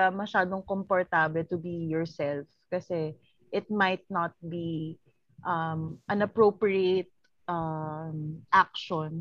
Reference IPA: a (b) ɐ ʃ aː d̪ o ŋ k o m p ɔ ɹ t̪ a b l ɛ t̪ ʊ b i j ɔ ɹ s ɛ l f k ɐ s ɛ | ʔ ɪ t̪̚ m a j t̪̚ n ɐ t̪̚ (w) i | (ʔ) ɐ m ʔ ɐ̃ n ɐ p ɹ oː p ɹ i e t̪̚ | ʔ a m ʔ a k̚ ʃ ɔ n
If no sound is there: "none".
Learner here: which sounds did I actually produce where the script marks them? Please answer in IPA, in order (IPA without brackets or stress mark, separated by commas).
m, b, ʔ